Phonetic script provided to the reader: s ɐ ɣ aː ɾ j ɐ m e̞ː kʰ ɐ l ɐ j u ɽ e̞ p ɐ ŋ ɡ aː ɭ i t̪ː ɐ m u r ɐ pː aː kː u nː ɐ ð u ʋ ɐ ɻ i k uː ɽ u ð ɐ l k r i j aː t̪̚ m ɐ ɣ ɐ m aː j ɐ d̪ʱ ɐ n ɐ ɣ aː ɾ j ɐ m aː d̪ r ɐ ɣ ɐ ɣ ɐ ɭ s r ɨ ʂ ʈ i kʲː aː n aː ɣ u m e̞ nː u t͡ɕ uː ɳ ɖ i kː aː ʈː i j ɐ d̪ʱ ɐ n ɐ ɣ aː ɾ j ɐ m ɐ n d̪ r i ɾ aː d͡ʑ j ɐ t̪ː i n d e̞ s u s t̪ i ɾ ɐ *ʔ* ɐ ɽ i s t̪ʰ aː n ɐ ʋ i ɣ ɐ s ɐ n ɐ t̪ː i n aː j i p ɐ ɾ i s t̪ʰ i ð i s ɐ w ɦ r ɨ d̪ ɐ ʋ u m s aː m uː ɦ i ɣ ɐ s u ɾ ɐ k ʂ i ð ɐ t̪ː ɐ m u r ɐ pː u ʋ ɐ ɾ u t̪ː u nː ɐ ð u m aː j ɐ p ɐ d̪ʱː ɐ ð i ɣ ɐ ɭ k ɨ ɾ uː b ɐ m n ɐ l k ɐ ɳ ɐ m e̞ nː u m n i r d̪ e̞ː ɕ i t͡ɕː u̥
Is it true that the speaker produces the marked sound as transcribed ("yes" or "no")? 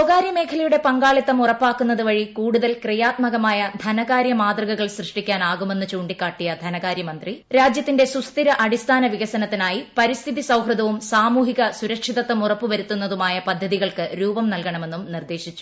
yes